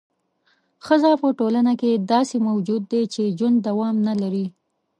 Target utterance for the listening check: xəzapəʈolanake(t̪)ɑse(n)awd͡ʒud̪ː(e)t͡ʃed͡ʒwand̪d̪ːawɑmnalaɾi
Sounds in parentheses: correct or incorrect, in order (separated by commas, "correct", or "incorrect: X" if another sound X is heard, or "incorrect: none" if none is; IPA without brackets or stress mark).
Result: incorrect: d̪, incorrect: m, correct